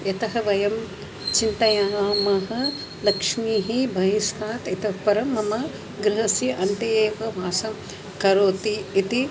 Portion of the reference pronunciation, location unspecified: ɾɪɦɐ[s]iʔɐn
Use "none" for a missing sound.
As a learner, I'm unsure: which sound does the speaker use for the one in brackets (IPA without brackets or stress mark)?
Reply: s